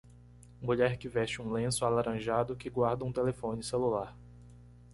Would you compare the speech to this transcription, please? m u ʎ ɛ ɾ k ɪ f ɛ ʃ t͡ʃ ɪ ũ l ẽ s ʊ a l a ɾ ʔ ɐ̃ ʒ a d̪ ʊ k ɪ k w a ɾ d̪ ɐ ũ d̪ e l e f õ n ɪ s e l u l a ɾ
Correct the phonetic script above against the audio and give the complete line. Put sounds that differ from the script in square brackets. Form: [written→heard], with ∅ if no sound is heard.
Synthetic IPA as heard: m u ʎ ɛ ɾ k ɪ [f→v] ɛ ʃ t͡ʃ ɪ ũ l ẽ s ʊ a l a ɾ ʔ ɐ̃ ʒ a d̪ ʊ k ɪ [k→ɡ] w a ɾ d̪ ɐ ũ [d̪→t̪] e l e f õ n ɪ s e l u l a ɾ